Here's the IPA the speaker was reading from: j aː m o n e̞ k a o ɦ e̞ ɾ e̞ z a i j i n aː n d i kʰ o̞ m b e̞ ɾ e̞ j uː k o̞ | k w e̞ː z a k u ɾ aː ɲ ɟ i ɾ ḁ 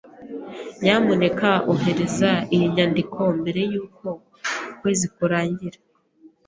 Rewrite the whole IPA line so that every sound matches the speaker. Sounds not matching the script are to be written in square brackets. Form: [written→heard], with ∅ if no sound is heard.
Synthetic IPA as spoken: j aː m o n e̞ k a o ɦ e̞ ɾ e̞ z a i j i [n→ɲ] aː n d i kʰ o̞ m b e̞ ɾ e̞ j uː k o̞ | k w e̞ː z [a→i] k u ɾ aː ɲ ɟ i ɾ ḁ